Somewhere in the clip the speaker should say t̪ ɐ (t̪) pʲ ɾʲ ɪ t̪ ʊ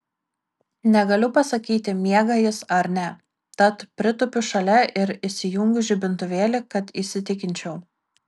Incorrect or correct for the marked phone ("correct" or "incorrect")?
correct